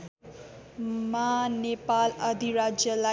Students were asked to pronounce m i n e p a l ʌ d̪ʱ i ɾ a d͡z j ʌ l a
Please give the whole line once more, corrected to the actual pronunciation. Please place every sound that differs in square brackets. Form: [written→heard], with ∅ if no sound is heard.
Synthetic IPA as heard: m [i→a] n e p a l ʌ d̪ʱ i ɾ a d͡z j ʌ l a